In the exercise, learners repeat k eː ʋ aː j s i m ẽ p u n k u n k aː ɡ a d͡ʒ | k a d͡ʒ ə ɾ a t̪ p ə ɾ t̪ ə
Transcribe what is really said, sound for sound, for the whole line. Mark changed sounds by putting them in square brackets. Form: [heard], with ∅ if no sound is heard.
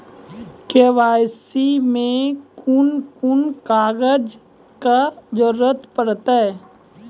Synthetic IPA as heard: k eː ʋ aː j s i m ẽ [k] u n k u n k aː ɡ [ə] d͡ʒ | k a d͡ʒ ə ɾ [ə] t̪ p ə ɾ t̪ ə